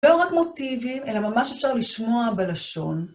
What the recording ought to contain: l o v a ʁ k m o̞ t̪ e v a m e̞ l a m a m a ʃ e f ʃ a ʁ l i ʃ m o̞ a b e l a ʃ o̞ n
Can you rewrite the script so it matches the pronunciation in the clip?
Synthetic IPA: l o ʁ a k m o̞ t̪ i v i m e̞ l a m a m a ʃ e f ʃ a ʁ l i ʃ m o̞ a b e l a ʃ o̞ n